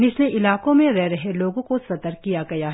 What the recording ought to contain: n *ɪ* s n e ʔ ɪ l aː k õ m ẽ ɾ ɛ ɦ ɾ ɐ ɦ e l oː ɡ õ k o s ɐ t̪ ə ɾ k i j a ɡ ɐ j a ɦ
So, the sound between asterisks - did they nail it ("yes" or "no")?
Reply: yes